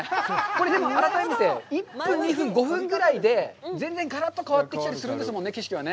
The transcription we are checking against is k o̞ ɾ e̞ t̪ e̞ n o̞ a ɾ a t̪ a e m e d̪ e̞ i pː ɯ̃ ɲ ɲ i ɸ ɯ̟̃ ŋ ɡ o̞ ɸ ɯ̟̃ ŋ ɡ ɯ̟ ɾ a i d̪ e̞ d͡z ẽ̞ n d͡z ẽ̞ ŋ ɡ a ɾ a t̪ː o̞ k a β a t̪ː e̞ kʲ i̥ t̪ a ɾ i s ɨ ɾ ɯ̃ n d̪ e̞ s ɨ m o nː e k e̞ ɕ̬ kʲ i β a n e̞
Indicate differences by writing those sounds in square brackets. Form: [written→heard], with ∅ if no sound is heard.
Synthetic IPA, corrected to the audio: k o̞ ɾ e̞ [t̪→d̪] e̞ [n→m] o̞ a ɾ a t̪ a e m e [d̪→t̪] e̞ i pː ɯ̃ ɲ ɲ i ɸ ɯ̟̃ ŋ ɡ o̞ ɸ ɯ̟̃ ŋ ɡ ɯ̟ ɾ a i d̪ e̞ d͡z ẽ̞ n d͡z ẽ̞ ŋ ɡ a ɾ a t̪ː o̞ k a β a t̪ː e̞ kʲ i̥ t̪ a ɾ i s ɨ ɾ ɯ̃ n d̪ e̞ s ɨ m o nː e k e̞ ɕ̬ kʲ i β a n e̞